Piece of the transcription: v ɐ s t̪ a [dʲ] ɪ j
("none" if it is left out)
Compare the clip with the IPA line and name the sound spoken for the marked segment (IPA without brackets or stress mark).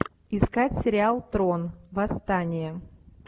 nʲ